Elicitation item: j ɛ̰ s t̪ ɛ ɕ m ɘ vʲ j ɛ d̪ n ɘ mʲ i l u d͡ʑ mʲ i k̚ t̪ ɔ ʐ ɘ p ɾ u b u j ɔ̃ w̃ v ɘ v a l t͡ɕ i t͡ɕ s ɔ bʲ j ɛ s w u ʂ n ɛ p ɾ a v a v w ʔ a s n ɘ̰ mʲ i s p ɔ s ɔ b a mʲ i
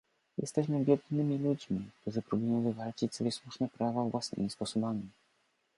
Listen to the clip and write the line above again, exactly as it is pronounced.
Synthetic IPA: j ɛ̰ s t̪ ɛ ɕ m ɘ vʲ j ɛ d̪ n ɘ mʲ i l u d͡ʑ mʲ i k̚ t̪ u ʐ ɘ p ɾ u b u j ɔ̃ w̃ v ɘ v a l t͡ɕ i t͡ɕ s ɔ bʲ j ɛ s w u ʂ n ɛ p ɾ a v a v w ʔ a s n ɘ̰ mʲ i s p ɔ s ɔ b a mʲ i